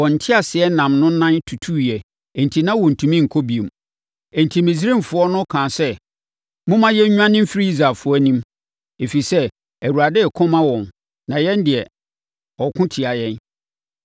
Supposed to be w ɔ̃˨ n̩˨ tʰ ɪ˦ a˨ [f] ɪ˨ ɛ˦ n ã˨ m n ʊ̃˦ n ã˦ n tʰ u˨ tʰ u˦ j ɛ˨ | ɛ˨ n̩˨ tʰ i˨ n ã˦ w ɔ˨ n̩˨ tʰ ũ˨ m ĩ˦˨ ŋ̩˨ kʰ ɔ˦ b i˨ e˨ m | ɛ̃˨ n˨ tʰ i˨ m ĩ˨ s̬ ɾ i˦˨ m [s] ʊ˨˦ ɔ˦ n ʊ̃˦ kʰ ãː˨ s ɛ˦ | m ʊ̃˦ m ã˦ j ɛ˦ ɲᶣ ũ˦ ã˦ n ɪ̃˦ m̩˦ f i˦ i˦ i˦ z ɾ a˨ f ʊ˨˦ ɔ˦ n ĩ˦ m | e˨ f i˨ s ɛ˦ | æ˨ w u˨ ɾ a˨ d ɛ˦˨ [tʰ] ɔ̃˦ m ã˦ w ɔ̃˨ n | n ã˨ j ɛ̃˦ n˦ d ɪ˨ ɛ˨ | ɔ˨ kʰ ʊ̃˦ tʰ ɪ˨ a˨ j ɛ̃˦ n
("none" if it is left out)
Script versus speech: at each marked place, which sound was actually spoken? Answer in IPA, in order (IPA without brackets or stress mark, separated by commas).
s, f, kʰ